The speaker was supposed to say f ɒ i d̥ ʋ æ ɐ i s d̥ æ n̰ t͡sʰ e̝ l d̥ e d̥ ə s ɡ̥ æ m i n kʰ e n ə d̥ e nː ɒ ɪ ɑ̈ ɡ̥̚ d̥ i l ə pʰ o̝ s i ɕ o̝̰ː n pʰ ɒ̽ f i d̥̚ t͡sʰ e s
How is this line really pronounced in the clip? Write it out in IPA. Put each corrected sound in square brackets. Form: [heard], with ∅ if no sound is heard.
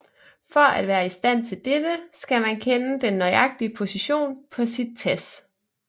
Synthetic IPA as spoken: f ɒ [æ] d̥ ʋ [æː] ɐ i s d̥ æ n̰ t͡sʰ e̝ l d̥ e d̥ ə s ɡ̥ æ m [æ] n kʰ e n ə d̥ e nː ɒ ɪ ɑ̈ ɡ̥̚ d̥ i [∅] ə pʰ o̝ s i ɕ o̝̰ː n pʰ ɒ̽ [s] i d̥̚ t͡sʰ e s